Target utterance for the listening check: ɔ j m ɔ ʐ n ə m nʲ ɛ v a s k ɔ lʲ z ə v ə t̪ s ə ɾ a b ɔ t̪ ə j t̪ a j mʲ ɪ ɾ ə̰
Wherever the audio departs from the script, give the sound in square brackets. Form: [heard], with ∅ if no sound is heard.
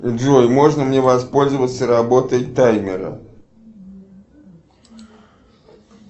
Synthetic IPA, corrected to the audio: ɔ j m ɔ ʐ n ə m nʲ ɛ v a s [p] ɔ lʲ z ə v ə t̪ s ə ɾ a b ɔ t̪ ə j t̪ a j mʲ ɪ ɾ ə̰